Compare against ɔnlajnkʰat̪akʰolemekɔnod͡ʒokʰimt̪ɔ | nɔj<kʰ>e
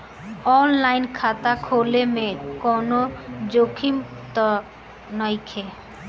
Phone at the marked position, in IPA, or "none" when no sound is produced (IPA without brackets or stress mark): kʰ